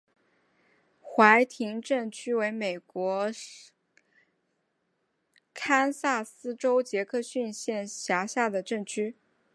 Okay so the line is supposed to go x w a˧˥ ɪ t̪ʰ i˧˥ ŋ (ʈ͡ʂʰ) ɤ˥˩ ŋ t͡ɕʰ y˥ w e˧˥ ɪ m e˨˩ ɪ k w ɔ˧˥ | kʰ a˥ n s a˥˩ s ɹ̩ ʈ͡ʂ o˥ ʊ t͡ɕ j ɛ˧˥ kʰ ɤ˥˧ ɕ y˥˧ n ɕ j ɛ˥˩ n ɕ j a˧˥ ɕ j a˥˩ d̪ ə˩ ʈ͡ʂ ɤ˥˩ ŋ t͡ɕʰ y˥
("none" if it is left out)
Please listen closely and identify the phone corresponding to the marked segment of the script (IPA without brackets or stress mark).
ʈ͡ʂ